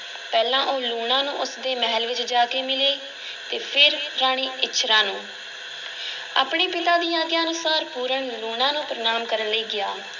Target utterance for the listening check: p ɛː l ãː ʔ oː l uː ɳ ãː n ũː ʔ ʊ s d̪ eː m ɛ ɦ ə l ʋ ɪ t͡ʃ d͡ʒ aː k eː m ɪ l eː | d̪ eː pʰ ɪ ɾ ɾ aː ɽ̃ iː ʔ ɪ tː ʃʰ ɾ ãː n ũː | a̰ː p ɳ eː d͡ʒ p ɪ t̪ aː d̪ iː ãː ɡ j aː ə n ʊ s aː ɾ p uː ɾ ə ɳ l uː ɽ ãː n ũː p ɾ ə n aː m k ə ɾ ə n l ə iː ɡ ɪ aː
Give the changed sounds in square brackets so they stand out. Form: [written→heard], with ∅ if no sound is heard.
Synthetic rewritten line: p ɛː l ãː ʔ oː l uː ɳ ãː n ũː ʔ ʊ s d̪ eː m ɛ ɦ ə l ʋ ɪ t͡ʃ d͡ʒ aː k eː m ɪ l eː | [d̪→t̪] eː pʰ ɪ ɾ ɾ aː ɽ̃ iː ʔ ɪ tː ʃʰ ɾ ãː n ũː | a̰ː p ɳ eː [d͡ʒ→∅] p ɪ t̪ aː d̪ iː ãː ɡ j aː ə n ʊ s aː ɾ p uː ɾ ə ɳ l uː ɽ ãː n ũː p ɾ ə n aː m k ə ɾ ə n l ə iː ɡ ɪ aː

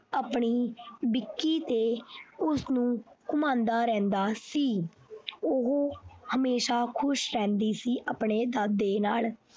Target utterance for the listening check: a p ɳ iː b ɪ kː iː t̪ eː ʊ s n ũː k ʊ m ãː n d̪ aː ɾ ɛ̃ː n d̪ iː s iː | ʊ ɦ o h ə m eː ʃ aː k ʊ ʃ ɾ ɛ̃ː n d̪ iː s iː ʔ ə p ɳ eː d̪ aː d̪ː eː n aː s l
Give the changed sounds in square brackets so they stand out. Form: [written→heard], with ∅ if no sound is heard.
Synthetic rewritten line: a p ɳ iː b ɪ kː iː t̪ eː ʊ s n ũː k ʊ m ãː n d̪ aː ɾ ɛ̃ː n d̪ [iː→aː] s iː | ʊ ɦ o h ə m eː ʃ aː [k→kʰ] ʊ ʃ ɾ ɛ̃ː n d̪ iː s iː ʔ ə p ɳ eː d̪ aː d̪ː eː n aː [s→∅] l

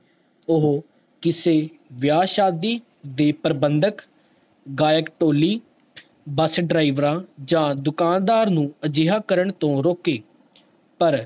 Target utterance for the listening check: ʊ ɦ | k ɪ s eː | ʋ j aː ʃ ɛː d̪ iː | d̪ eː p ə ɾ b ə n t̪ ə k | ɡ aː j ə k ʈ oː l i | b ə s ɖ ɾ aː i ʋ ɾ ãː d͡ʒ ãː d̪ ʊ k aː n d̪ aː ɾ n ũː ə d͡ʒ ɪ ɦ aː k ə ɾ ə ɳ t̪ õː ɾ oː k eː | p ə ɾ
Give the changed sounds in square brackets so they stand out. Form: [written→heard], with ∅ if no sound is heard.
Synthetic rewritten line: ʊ ɦ | k ɪ s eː | ʋ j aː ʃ [ɛː→aː] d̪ iː | d̪ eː p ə ɾ b ə n [t̪→d̪] ə k | ɡ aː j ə k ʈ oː l [i→iː] | b ə s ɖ ɾ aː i ʋ ɾ ãː d͡ʒ ãː d̪ ʊ k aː n d̪ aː ɾ n ũː ə d͡ʒ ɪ ɦ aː k ə ɾ ə ɳ t̪ õː ɾ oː k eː | p ə ɾ

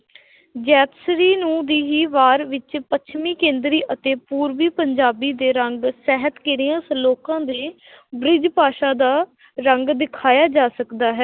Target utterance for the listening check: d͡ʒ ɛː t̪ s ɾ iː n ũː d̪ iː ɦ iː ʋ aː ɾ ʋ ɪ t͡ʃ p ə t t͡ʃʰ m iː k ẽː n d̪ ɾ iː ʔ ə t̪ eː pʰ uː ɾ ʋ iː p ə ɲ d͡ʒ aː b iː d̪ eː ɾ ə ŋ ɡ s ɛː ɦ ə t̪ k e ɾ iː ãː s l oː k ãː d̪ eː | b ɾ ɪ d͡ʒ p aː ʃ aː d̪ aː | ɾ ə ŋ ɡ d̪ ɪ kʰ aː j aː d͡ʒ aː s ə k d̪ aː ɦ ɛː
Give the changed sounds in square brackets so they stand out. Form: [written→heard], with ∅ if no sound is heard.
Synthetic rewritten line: d͡ʒ ɛː t̪ s ɾ iː n ũː d̪ iː ɦ iː ʋ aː ɾ ʋ ɪ t͡ʃ p ə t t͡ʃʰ m iː k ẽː n d̪ ɾ iː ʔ ə t̪ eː [pʰ→p] uː ɾ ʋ iː p ə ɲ d͡ʒ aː b iː d̪ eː ɾ ə ŋ ɡ s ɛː ɦ ə t̪ k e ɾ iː ãː s l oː k ãː d̪ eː | b ɾ ɪ d͡ʒ p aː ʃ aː d̪ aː | ɾ ə ŋ ɡ d̪ ɪ kʰ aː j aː d͡ʒ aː s ə k d̪ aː ɦ ɛː

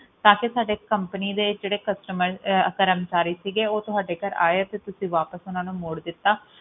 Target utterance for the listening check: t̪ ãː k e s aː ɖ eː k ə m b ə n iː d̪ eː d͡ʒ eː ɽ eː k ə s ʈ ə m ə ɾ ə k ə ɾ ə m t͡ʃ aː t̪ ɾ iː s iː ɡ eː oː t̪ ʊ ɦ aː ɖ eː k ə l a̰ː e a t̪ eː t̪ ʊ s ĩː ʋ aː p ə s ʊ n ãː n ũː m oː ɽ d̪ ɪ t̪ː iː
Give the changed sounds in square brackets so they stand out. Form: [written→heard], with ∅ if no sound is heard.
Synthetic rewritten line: t̪ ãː k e s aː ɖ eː k ə m [b→p] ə n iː d̪ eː d͡ʒ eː ɽ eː k ə s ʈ ə m ə ɾ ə k ə ɾ ə m t͡ʃ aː [t̪→∅] ɾ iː s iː ɡ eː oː t̪ ʊ ɦ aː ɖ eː k ə [l→ɾ] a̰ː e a t̪ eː t̪ ʊ s ĩː ʋ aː p ə s ʊ n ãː n ũː m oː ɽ d̪ ɪ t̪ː [iː→aː]

